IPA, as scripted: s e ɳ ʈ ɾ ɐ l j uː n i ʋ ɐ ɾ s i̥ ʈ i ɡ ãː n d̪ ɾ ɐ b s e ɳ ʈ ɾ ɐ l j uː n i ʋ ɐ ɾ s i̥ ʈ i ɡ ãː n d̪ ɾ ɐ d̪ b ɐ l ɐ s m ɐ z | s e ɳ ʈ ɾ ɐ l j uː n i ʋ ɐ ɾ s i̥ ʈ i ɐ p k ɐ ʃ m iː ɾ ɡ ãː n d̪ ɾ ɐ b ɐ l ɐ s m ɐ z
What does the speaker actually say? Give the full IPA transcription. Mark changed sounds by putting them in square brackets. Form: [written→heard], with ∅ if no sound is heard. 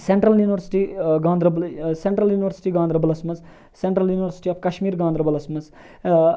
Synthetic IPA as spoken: s e ɳ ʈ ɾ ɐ l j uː n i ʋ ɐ ɾ s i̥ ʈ i ɡ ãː n d̪ ɾ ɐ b s e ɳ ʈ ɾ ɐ l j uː n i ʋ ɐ ɾ s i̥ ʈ i ɡ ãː n d̪ ɾ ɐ [d̪→∅] b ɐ l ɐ s m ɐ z | s e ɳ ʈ ɾ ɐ l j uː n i ʋ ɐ ɾ s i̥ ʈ i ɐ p k ɐ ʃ m iː ɾ ɡ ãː n d̪ ɾ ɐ b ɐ l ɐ s m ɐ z